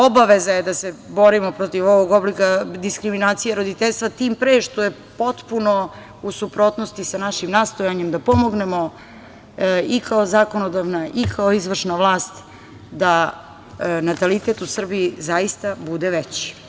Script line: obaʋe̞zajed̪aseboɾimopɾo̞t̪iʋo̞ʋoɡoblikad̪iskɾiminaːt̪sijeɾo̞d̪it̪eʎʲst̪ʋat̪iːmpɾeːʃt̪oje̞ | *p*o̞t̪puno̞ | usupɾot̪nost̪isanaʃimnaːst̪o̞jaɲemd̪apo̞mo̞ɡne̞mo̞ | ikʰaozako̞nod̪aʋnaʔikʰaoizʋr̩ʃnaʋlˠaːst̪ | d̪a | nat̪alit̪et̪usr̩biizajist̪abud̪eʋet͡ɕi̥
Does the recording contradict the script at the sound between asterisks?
no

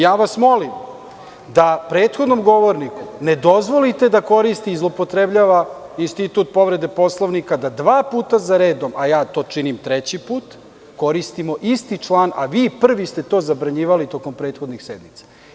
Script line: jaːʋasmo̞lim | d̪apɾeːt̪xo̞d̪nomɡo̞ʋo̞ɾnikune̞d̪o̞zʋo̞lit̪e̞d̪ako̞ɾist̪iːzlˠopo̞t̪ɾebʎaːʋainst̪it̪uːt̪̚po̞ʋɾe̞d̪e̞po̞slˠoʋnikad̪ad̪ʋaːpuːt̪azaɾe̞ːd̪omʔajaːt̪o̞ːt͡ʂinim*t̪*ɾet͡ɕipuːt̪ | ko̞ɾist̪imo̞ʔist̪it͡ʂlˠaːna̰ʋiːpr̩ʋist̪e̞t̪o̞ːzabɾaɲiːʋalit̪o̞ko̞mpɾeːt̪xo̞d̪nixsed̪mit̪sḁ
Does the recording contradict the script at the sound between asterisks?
no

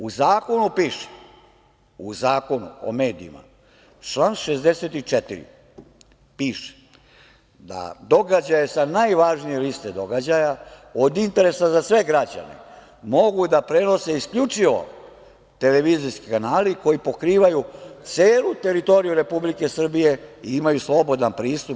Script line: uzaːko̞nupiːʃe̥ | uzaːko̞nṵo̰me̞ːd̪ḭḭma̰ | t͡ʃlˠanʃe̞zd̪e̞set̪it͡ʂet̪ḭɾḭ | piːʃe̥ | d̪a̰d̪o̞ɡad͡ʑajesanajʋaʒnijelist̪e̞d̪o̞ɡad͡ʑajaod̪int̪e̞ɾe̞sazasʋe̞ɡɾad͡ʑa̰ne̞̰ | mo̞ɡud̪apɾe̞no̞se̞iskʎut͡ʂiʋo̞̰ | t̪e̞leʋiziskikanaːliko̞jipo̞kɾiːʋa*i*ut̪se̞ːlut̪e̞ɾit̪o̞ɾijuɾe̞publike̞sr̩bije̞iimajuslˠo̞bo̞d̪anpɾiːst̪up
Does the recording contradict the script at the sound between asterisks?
yes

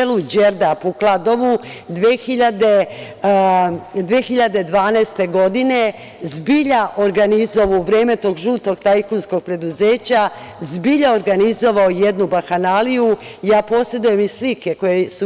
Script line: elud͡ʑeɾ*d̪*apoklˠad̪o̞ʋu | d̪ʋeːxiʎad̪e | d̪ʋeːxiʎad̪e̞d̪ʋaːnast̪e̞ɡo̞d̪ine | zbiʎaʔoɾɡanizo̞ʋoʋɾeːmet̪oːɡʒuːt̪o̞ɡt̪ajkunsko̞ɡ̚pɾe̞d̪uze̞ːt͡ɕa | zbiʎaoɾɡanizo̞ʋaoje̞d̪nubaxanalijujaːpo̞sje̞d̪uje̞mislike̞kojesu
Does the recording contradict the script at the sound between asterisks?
no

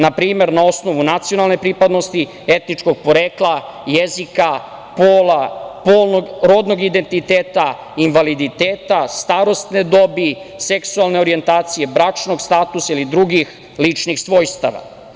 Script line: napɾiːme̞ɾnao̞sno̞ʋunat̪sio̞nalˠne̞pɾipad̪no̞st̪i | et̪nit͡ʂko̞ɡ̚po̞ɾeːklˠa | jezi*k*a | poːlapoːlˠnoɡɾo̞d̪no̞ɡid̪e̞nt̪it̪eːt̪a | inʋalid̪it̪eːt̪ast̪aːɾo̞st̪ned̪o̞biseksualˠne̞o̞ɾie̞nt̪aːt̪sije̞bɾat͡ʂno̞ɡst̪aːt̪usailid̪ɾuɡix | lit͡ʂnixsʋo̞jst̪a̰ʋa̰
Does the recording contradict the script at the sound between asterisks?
no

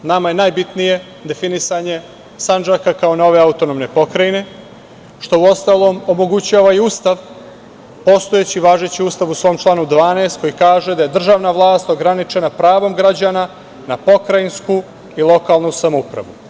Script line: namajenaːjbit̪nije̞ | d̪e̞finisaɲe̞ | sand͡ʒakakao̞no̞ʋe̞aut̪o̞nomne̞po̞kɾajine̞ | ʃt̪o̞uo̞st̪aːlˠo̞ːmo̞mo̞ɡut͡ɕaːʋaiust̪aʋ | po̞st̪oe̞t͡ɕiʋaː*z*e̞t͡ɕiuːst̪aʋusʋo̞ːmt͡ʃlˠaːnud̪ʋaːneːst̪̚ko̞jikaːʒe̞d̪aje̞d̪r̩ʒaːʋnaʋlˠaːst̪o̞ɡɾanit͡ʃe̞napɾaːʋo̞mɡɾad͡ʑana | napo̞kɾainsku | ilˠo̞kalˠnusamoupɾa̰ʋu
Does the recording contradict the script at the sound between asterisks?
yes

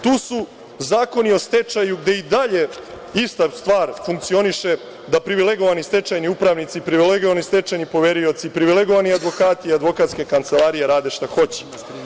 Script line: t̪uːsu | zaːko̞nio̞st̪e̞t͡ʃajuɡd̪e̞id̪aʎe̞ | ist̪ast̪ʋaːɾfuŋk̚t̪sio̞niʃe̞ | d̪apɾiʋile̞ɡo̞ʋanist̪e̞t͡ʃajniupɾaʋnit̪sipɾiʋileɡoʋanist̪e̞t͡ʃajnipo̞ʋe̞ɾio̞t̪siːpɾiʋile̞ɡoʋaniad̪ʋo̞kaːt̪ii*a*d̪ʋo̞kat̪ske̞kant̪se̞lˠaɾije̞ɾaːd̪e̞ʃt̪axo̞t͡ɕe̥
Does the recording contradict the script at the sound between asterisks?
no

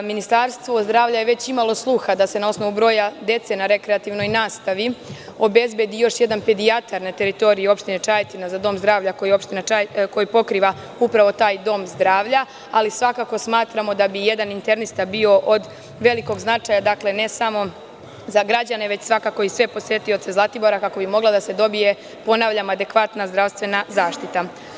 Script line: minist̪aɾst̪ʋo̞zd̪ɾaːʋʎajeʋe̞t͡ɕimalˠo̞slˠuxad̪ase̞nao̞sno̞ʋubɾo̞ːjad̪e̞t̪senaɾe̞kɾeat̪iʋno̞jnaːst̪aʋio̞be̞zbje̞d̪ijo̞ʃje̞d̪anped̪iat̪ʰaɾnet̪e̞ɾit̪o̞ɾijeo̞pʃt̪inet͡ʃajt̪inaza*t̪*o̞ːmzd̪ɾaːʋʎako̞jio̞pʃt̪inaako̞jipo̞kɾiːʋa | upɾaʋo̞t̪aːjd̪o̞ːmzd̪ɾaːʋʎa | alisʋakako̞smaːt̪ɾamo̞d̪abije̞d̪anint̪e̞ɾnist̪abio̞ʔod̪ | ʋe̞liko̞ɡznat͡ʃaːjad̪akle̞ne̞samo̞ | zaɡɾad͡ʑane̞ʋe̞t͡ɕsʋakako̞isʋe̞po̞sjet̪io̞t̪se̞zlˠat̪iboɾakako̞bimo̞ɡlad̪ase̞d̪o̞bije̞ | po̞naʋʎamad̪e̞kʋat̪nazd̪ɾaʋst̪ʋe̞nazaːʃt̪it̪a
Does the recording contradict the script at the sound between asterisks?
yes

